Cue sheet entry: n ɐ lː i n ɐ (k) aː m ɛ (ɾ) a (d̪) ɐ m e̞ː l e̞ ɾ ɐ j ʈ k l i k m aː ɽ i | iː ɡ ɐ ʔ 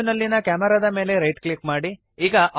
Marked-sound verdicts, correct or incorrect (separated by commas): correct, correct, correct